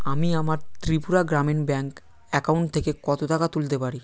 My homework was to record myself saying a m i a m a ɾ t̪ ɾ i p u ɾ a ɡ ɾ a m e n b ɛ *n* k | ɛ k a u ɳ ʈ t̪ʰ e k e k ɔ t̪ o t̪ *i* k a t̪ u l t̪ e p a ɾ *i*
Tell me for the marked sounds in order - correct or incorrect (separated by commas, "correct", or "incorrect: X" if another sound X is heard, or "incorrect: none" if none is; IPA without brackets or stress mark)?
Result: incorrect: ŋ, incorrect: a, correct